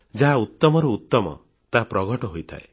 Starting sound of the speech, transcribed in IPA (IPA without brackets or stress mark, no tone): d͡ʒ